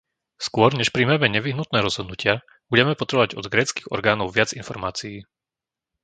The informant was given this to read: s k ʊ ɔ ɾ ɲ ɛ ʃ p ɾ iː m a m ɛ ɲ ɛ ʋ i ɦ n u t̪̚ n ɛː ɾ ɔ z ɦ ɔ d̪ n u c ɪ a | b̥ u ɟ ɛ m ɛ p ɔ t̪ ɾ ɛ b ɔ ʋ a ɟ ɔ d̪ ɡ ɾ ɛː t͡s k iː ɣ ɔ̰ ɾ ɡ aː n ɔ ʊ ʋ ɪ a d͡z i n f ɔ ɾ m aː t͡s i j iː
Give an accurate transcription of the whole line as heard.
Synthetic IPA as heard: s k ʊ ɔ ɾ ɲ ɛ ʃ p ɾ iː m a m ɛ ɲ ɛ ʋ i ɦ n u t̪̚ n ɛː ɾ ɔ z ɦ ɔ d̪ n u c ɪ a | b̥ u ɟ ɛ m ɛ p ɔ t̪ ɾ ɛ b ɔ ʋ a ɟ ɔ d̪ ɡ ɾ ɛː t͡s k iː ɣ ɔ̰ ɾ ɡ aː n ɔ ʊ ʋ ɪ a d͡z i n f ɔ ɾ m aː t͡s i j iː